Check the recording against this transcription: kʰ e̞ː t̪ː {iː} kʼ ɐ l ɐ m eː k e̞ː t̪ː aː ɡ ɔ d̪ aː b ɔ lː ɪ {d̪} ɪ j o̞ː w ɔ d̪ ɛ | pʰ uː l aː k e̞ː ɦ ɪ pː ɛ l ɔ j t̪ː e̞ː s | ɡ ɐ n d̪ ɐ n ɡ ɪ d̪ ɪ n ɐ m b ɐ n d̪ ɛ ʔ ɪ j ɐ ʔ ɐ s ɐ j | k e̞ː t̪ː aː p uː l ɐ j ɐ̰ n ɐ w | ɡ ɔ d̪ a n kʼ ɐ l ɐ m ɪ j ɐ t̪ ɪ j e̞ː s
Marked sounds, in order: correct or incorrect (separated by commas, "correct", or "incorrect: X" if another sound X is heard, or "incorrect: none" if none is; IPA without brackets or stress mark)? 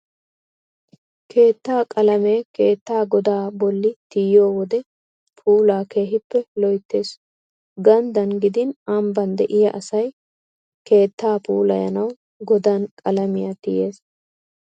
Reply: incorrect: aː, incorrect: t̪